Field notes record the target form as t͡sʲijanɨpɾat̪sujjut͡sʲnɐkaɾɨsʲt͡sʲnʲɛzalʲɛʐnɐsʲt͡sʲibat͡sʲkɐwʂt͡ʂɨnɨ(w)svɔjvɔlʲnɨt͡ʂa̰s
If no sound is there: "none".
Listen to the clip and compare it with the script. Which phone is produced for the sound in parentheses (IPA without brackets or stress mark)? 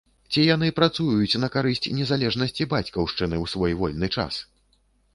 w